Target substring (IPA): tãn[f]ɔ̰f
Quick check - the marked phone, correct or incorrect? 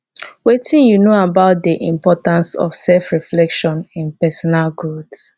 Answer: incorrect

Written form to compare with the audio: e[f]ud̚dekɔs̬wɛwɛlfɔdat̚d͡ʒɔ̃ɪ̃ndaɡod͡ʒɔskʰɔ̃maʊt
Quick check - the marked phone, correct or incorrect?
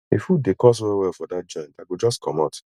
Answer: correct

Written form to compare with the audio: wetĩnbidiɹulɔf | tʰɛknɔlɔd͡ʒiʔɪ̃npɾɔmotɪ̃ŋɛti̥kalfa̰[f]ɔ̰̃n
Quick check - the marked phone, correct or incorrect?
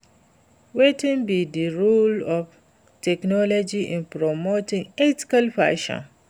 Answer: incorrect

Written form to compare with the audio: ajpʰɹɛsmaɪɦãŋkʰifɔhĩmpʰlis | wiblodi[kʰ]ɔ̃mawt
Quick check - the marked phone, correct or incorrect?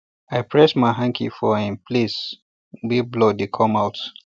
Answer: correct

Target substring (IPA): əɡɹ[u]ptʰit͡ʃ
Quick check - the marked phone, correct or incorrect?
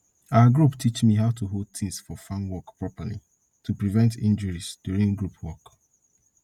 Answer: correct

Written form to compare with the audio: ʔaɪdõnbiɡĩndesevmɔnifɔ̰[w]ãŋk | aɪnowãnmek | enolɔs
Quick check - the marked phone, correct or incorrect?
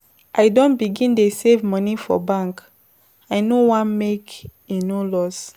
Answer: incorrect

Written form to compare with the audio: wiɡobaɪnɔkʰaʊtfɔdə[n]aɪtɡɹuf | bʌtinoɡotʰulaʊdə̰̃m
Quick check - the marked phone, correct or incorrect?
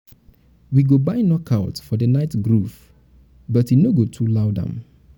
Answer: correct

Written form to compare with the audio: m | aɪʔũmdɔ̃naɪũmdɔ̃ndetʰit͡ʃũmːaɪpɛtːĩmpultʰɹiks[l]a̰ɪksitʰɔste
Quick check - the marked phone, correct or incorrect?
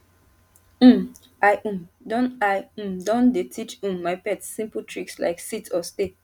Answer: correct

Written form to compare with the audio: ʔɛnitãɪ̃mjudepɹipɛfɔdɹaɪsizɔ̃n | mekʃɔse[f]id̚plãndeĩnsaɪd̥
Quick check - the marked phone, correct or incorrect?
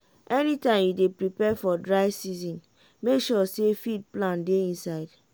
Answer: correct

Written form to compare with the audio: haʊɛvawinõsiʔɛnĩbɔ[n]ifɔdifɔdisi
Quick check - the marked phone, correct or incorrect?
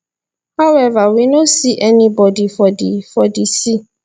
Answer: incorrect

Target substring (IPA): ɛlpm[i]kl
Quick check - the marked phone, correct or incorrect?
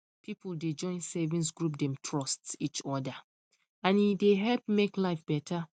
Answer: incorrect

